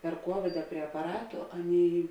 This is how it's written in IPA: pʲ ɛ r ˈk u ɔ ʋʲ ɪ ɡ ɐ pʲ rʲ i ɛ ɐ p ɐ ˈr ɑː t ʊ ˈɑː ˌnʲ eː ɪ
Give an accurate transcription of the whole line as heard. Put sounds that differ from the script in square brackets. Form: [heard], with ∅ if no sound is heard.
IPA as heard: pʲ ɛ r ˈk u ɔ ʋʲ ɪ [d] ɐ pʲ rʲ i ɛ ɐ p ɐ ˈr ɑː t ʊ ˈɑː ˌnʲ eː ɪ